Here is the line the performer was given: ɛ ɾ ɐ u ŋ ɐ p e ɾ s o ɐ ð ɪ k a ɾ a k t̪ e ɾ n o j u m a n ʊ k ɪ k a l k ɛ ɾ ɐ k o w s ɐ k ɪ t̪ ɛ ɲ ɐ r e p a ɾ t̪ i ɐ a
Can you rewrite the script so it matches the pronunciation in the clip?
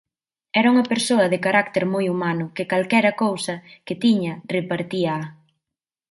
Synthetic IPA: ɛ ɾ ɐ u ŋ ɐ p e ɾ s o ɐ ð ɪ k a ɾ a k t̪ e ɾ m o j u m a n ʊ k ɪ k a l k ɛ ɾ ɐ k o w s ɐ k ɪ t̪ i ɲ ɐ r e p a ɾ t̪ i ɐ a